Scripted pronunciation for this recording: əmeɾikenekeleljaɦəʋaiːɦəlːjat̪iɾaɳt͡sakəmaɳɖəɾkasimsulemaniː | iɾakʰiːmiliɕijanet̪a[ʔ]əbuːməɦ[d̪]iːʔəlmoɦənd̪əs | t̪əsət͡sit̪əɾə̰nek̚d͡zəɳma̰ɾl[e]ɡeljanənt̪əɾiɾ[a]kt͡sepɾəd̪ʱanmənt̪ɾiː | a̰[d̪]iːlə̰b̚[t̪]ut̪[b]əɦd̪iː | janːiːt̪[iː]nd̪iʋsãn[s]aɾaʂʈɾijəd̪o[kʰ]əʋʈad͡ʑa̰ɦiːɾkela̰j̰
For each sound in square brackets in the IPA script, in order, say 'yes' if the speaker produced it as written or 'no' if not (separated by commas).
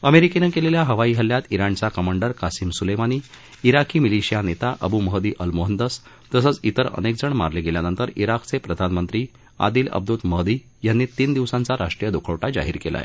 yes, yes, yes, yes, yes, no, no, yes, no, yes